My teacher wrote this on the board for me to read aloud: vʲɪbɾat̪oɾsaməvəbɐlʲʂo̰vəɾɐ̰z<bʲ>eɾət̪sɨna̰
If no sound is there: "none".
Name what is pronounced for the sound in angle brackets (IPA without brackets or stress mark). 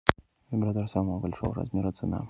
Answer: mʲ